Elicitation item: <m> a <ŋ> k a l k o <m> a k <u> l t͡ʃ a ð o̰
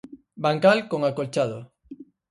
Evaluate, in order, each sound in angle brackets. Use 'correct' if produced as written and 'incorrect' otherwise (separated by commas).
incorrect, correct, incorrect, incorrect